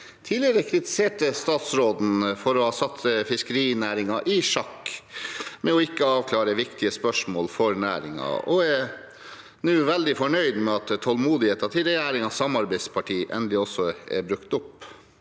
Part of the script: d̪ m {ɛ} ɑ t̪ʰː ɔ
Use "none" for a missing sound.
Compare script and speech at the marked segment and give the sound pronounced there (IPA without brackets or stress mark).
ɛ